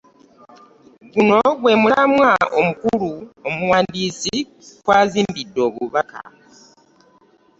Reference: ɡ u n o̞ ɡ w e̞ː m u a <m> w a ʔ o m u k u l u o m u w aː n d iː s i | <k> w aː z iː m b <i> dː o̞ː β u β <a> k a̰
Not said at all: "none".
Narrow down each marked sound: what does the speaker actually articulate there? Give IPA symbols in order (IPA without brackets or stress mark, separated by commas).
m, k, i, a